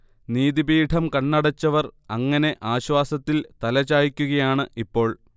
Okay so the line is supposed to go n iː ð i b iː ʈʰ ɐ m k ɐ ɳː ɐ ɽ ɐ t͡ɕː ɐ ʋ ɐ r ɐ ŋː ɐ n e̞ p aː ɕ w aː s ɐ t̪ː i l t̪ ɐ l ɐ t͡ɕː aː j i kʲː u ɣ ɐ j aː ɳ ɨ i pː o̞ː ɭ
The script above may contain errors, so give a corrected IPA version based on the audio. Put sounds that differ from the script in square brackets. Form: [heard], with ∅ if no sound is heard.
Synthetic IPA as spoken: n iː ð i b iː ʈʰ ɐ m k ɐ ɳː ɐ ɽ ɐ t͡ɕː ɐ ʋ ɐ r ɐ ŋː ɐ n e̞ [ʔ] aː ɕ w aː s ɐ t̪ː i l t̪ ɐ l ɐ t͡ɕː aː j i kʲː u ɣ ɐ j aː ɳ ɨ i pː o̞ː ɭ